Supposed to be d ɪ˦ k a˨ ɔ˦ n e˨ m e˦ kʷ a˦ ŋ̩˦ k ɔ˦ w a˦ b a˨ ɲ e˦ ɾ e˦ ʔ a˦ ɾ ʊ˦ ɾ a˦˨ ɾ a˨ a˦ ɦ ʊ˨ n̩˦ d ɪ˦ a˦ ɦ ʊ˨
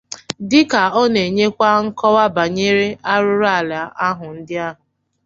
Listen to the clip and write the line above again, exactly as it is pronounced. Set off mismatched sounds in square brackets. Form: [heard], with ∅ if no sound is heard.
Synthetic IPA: d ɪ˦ k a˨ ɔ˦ n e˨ [ɲ] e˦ kʷ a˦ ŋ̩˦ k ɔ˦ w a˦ b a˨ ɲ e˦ ɾ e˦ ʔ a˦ ɾ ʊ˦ ɾ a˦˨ [l] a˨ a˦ ɦ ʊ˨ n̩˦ d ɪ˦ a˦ ɦ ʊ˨